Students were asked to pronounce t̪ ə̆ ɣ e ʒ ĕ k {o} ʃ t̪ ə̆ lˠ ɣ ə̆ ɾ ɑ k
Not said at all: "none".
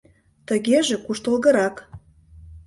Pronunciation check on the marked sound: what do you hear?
u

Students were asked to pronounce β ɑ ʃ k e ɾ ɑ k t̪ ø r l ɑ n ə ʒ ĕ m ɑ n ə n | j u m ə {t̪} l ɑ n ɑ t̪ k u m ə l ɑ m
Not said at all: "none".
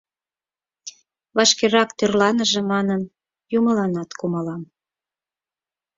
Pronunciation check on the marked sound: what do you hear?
none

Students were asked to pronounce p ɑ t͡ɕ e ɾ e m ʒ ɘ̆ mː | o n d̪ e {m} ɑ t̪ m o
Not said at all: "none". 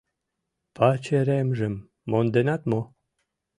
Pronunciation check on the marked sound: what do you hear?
n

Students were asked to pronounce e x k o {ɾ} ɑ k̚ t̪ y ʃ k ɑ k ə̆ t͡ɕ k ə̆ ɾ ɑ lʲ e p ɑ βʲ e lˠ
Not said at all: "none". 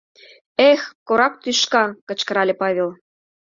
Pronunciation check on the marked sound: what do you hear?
ɾ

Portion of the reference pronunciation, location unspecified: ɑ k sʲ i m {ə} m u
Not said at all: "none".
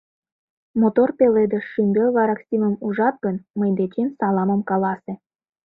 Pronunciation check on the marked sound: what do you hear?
ə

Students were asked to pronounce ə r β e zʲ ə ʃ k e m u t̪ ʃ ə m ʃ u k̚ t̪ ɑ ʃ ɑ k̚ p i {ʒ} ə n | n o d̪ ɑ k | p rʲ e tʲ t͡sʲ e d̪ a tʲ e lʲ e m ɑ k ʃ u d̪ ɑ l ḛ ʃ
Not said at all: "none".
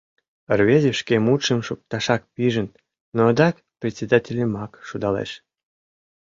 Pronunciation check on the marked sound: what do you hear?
ʒ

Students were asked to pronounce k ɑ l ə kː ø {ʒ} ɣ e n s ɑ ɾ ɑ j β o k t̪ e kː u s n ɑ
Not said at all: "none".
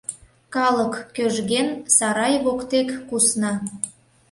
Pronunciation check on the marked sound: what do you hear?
ʒ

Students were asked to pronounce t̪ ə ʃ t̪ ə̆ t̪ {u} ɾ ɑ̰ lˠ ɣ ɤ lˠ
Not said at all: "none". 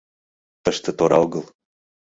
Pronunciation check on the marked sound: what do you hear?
o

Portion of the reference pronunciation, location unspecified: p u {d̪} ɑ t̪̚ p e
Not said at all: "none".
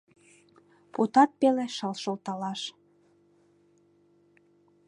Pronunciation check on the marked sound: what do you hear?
t̪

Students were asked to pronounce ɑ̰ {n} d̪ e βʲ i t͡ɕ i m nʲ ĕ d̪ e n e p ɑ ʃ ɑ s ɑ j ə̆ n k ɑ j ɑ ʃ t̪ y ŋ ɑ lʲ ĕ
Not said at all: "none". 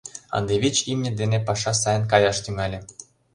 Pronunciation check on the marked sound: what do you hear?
n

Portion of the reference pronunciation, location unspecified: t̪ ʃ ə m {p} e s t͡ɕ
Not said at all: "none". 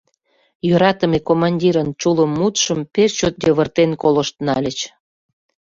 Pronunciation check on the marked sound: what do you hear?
p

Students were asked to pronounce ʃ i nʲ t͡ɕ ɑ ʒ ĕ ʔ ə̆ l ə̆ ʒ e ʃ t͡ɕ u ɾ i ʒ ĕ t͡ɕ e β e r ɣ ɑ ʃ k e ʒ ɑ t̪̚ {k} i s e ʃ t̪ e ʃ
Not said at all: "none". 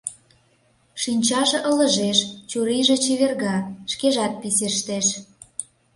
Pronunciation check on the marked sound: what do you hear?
p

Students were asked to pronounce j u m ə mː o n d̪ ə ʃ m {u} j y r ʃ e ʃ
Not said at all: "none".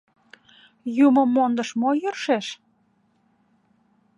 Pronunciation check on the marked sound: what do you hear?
o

